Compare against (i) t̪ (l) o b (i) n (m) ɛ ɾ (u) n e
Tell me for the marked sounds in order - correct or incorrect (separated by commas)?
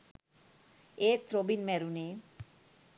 incorrect, incorrect, correct, correct, correct